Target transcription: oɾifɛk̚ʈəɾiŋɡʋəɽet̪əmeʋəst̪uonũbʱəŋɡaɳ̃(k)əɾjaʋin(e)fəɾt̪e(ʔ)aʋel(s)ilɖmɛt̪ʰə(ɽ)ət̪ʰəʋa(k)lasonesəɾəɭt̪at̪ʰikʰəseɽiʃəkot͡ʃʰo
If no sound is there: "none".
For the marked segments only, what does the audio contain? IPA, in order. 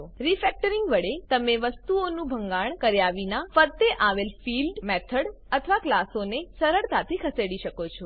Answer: k, a, ʔ, f, ɽ, k

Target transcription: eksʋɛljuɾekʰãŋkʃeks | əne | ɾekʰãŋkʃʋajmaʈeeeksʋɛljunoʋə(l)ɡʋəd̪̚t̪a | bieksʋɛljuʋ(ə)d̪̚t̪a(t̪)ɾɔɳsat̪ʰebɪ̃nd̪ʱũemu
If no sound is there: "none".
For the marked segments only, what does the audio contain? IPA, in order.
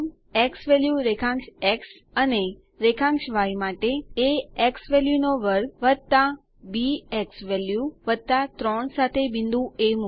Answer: ɾ, ə, t̪

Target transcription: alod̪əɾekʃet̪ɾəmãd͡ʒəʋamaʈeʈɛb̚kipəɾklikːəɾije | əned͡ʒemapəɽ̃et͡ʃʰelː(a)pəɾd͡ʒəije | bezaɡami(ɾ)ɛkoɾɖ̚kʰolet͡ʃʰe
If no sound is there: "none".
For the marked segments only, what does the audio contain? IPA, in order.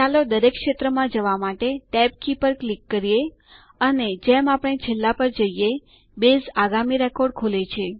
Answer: a, ɾ

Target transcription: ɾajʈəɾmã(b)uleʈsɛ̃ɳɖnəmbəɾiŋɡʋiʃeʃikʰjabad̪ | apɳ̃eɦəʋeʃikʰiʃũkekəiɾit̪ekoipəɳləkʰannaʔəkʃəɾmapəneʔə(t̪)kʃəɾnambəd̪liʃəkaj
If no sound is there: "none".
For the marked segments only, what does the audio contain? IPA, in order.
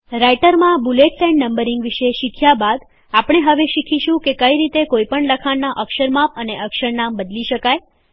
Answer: b, none

